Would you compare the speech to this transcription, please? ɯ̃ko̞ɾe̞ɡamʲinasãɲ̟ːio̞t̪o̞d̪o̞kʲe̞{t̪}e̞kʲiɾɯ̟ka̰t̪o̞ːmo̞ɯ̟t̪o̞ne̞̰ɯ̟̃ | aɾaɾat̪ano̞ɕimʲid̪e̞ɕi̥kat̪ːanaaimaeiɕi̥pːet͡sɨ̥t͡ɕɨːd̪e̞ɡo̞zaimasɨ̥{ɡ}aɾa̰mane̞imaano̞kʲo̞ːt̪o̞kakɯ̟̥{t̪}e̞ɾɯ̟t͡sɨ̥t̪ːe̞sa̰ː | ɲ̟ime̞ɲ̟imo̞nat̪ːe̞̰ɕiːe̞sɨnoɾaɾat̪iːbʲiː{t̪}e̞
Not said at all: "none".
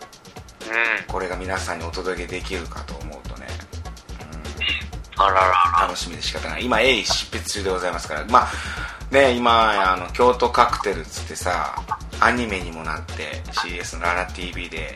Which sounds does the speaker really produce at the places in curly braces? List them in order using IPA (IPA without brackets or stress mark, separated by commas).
d̪, k, t̪, d̪